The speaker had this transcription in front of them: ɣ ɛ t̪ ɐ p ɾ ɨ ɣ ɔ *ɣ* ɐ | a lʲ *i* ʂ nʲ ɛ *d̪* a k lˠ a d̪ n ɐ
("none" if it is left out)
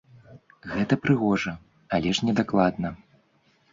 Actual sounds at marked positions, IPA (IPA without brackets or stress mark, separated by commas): ʐ, ɛ, d̪